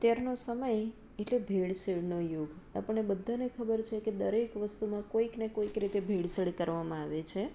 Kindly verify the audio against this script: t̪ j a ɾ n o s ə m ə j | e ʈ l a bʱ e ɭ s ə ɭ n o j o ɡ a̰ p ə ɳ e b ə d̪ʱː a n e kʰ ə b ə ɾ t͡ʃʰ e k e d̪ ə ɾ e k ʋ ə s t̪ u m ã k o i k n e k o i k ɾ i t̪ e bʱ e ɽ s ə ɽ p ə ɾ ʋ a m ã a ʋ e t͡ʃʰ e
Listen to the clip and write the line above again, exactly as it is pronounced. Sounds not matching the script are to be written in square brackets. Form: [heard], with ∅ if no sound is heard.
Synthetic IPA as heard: t̪ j a ɾ n o s ə m ə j | e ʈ l [e] bʱ e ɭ s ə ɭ n o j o ɡ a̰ p ə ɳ e b ə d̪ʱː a n e kʰ ə b ə ɾ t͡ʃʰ e k e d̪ ə ɾ e k ʋ ə s t̪ u m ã k o i k n e k o i k ɾ i t̪ e bʱ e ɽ s ə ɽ [k] ə ɾ ʋ a m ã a ʋ e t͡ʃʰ e